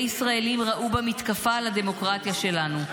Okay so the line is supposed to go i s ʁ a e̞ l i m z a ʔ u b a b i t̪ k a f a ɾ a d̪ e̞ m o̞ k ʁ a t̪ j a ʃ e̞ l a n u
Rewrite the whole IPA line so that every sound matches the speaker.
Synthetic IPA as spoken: i s ʁ a e̞ l i m ʁ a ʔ u b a m i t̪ k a f a l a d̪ e̞ m o̞ k ʁ a t̪ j a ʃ e̞ l a n u

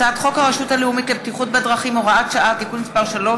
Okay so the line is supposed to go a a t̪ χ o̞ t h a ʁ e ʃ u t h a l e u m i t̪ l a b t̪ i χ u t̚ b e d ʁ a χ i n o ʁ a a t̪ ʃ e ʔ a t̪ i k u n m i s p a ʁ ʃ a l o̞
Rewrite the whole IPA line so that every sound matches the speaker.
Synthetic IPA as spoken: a a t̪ χ o̞ k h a ʁ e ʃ u t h a l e u m i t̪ l e b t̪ i χ u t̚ b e d ʁ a χ i m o ʁ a a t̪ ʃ a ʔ a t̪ i k u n m i s p a ʁ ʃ a l o̞

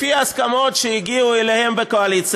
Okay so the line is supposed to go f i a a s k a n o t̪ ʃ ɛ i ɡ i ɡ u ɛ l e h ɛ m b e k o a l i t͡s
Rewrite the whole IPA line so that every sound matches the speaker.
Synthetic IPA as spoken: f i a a s k a m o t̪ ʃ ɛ i ɡ i u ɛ l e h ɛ m b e k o a l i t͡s

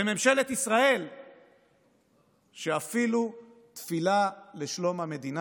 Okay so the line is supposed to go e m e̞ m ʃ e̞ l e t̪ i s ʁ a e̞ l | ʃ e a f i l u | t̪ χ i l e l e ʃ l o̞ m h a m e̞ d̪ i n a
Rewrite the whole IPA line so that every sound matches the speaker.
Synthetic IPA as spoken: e m e̞ m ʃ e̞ l e t̪ i s ʁ a e̞ l | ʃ e a f i l u | t̪ f i l a l e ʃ l o̞ m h a m e̞ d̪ i n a

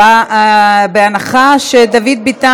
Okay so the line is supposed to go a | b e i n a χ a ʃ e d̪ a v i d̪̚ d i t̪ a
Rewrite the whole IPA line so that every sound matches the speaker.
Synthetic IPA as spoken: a | b e a n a χ a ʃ e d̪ a v i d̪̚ b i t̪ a

